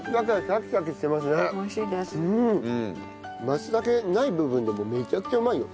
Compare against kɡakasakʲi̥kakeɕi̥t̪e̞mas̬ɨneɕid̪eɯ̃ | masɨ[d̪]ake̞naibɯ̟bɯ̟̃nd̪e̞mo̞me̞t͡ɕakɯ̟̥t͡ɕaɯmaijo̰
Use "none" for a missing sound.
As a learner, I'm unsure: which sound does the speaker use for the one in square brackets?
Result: d̪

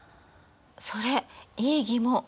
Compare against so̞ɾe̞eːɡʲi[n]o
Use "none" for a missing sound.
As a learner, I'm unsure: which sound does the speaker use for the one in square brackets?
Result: m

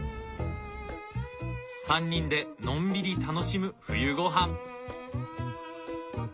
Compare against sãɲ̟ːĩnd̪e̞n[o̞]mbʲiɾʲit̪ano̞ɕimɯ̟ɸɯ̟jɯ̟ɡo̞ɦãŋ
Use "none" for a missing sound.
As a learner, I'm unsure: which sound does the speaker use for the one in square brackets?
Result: õ̞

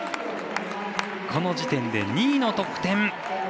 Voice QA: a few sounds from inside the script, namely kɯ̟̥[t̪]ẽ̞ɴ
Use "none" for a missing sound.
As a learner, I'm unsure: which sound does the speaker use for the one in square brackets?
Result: t̪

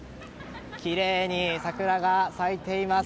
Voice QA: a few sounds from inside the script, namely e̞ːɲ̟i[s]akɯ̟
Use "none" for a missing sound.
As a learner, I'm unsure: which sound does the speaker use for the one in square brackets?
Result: s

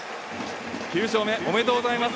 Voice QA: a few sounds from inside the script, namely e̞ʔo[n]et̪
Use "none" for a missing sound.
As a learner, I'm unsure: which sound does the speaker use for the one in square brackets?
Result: m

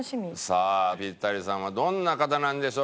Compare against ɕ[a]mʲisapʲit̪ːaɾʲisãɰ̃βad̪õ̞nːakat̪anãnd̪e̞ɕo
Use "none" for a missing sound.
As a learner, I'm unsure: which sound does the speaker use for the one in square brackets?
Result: i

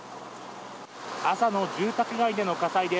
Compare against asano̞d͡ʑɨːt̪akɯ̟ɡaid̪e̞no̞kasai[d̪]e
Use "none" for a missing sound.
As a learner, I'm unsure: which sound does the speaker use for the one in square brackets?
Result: d̪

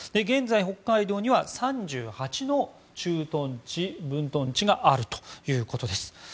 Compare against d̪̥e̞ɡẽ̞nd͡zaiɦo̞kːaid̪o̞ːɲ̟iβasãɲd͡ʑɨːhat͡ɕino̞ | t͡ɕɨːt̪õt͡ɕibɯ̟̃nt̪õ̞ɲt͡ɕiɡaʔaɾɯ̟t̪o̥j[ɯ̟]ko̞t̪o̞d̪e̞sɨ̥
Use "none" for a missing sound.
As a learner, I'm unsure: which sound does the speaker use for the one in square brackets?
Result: ɯ̟ː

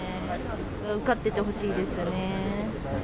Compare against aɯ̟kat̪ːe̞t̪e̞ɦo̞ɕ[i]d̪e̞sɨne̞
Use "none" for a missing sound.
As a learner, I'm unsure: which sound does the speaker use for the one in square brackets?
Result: iː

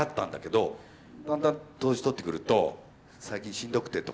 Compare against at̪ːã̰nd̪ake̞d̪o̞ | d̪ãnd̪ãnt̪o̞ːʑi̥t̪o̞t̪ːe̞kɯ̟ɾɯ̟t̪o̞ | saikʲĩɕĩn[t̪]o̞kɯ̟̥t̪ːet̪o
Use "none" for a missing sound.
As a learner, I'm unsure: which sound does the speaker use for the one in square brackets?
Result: d̪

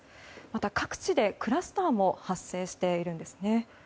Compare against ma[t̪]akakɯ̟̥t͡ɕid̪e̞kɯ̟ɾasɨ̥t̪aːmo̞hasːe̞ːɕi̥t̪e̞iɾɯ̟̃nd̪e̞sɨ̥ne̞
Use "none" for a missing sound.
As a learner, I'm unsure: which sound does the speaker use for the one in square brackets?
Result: t̪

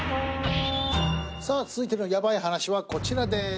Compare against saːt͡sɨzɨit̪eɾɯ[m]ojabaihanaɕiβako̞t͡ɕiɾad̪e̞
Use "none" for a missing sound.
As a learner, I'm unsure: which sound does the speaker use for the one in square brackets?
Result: n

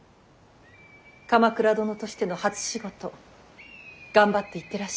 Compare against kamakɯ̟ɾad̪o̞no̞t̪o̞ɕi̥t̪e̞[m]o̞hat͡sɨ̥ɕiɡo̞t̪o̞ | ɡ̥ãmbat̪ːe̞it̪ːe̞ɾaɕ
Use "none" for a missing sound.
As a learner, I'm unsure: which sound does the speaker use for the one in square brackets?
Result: n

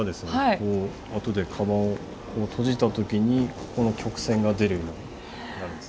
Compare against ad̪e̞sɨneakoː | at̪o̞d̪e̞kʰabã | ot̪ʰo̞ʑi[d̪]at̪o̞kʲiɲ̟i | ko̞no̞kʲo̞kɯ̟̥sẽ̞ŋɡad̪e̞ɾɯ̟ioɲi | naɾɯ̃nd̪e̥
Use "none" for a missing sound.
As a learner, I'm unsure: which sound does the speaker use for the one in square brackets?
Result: t̪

